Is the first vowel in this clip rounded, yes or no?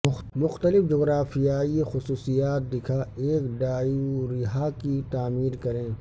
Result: yes